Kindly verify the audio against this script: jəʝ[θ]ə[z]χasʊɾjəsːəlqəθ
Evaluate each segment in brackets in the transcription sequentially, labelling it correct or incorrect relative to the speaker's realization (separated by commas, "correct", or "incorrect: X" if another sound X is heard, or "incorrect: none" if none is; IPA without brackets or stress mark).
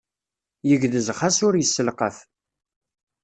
incorrect: ð, correct